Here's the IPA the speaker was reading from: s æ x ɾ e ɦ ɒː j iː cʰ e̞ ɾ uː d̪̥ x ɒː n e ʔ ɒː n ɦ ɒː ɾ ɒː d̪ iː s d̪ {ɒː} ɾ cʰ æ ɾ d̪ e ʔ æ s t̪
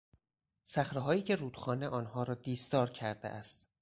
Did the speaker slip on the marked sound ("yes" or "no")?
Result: no